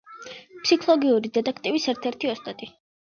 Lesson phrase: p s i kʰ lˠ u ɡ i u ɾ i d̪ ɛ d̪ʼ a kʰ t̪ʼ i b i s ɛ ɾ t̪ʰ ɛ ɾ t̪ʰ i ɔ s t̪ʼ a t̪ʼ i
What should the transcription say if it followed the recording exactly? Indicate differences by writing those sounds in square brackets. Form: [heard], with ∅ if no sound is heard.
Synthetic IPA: p s i kʰ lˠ [ɔ] ɡ i u ɾ i d̪ ɛ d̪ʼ a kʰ t̪ʼ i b i s ɛ ɾ t̪ʰ ɛ ɾ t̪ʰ i ɔ s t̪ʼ a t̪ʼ i